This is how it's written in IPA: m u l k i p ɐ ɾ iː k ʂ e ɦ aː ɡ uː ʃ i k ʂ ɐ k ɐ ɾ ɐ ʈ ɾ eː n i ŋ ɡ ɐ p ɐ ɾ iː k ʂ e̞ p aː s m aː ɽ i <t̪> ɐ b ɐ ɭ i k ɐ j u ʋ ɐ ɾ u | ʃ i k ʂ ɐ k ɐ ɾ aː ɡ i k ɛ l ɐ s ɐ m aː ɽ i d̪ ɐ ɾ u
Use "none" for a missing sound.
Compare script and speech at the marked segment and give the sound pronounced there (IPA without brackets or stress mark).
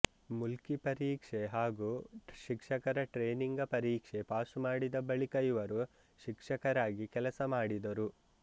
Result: d̪